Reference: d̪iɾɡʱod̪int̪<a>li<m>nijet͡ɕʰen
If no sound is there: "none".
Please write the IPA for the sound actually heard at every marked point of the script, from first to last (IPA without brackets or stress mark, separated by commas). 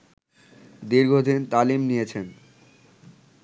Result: a, m